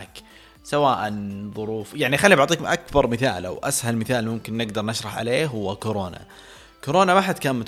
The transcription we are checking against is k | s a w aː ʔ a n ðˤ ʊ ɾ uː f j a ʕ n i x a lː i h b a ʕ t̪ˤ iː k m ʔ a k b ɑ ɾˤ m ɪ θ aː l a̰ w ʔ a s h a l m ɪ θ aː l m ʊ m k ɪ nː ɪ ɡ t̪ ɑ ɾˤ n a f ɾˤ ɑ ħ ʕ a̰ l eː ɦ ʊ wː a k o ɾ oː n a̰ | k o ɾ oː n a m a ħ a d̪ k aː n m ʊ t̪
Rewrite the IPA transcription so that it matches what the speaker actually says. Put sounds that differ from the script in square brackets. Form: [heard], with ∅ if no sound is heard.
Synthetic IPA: k | s a w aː ʔ a n ðˤ ʊ ɾ uː f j a ʕ n i x a lː i [∅] b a ʕ t̪ˤ iː k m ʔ a k b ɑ ɾˤ m ɪ θ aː l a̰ w ʔ a s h a l m ɪ θ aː l m ʊ m k ɪ nː ɪ ɡ [d̪] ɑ ɾˤ n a [ʃ] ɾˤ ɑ ħ ʕ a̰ l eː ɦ ʊ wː a k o ɾ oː n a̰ | k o ɾ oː n a m a ħ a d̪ k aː n m ʊ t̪